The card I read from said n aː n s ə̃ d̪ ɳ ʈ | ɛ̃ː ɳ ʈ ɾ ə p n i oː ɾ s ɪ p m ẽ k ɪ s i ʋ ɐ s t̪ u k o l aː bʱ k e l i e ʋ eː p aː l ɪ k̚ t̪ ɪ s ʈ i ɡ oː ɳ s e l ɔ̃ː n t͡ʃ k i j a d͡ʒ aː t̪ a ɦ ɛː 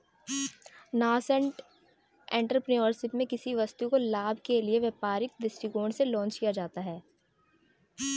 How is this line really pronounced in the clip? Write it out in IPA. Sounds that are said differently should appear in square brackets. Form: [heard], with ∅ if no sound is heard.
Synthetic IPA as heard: n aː [∅] s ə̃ [∅] ɳ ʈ | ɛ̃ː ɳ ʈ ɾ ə p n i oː ɾ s ɪ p m ẽ k ɪ s i ʋ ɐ s t̪ u k o l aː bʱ k e l i e ʋ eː p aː [ɾ] ɪ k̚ [d̪] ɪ s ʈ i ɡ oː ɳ s e l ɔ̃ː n t͡ʃ k i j a d͡ʒ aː t̪ a ɦ ɛː